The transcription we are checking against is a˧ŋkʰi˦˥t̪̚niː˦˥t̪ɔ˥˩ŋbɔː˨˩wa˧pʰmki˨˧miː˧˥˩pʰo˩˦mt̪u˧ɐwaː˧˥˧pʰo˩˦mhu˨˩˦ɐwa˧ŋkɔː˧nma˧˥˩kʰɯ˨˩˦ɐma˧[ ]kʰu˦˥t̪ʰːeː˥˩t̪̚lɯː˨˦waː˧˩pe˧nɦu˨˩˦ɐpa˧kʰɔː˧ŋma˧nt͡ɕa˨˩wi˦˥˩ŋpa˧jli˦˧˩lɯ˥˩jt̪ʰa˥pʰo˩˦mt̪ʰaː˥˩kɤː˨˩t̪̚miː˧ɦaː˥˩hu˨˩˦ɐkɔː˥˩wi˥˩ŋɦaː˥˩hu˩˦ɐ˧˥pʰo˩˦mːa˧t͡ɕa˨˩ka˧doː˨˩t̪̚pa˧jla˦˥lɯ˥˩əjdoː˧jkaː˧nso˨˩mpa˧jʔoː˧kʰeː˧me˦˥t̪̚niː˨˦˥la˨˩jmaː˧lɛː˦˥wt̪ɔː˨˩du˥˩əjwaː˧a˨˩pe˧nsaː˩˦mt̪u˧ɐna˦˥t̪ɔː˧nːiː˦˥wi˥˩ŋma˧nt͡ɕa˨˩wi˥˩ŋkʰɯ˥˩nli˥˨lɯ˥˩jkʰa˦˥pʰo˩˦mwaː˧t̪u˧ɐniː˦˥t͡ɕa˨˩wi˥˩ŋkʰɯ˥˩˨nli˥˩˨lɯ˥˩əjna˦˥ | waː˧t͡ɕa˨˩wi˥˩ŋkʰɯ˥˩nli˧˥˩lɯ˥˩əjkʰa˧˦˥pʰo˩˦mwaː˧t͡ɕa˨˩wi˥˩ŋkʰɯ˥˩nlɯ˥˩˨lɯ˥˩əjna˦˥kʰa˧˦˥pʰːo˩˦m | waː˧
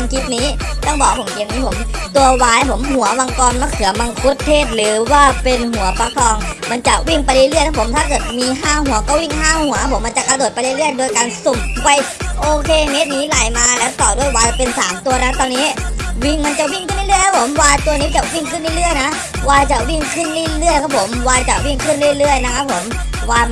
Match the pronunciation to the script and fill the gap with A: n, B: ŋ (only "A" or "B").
B